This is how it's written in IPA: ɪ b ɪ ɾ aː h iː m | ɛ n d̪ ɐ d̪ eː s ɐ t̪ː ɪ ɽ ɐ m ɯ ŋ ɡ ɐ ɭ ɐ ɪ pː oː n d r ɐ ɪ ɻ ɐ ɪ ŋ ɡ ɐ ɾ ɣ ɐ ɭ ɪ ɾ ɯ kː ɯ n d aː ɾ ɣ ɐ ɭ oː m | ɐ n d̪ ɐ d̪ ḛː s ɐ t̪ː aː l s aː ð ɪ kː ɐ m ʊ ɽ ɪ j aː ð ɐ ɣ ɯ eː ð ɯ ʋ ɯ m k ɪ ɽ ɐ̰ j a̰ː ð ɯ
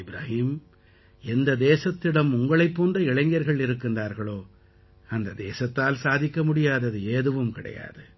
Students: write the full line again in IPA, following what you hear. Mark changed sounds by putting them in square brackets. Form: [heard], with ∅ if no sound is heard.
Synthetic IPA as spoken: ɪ b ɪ ɾ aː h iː m | ɛ n d̪ ɐ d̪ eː s ɐ t̪ː ɪ ɽ ɐ m [ʊ] ŋ ɡ ɐ ɭ ɐ ɪ pː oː n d r ɐ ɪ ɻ ɐ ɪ ŋ ɡ ɐ ɾ ɣ ɐ ɭ ɪ ɾ ɯ kː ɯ n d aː ɾ ɣ ɐ ɭ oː [∅] | ɐ n d̪ ɐ d̪ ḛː s ɐ t̪ː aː l s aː ð ɪ kː ɐ m ʊ ɽ ɪ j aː ð ɐ [ð] ɯ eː ð ɯ ʋ ɯ m k ɪ ɽ ɐ̰ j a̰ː ð ɯ